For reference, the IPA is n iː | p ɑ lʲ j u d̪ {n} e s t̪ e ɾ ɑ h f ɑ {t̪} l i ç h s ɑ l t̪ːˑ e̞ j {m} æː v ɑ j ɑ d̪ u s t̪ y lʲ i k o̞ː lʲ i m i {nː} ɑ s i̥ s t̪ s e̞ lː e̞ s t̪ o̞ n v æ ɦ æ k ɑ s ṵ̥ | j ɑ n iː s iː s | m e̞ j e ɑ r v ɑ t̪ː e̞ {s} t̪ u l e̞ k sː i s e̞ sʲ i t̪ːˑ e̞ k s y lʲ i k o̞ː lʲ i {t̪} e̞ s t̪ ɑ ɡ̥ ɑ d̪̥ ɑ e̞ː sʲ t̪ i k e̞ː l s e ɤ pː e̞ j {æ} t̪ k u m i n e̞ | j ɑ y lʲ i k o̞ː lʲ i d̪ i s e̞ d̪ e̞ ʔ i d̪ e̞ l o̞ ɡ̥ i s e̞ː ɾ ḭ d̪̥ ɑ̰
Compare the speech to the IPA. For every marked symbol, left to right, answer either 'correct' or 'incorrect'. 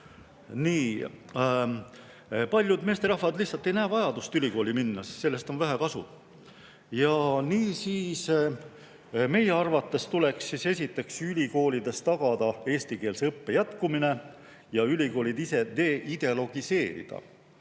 incorrect: m, incorrect: d̪, incorrect: n, correct, correct, incorrect: d̪, correct

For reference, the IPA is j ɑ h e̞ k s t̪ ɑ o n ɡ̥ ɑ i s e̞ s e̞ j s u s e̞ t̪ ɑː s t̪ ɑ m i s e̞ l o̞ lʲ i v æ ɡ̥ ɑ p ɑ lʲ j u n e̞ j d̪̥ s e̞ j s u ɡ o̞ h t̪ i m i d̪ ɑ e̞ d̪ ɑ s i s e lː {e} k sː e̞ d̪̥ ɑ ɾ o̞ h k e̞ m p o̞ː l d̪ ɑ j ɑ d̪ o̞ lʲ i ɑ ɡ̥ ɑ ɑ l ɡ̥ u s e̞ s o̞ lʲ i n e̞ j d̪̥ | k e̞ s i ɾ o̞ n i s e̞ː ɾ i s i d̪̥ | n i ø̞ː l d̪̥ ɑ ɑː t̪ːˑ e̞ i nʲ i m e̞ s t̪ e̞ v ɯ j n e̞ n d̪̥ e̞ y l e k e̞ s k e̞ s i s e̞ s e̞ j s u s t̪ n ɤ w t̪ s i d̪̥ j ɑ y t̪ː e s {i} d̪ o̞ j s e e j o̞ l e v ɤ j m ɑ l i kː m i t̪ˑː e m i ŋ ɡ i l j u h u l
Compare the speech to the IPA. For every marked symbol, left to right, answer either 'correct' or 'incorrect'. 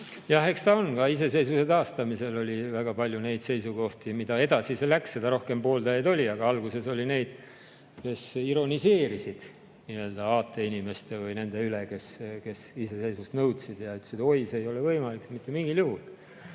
incorrect: æ, correct

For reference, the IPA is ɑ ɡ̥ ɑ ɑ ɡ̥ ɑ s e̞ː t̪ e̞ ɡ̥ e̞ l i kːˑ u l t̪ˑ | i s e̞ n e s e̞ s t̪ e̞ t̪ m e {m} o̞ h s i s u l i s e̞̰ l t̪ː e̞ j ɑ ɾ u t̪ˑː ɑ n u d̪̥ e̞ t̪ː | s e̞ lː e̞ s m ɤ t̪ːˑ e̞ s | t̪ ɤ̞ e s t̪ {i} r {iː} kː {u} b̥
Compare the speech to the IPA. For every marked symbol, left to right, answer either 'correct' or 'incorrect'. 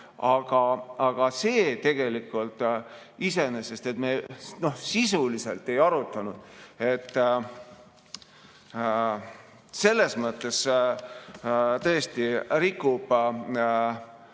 incorrect: n, correct, incorrect: i, correct

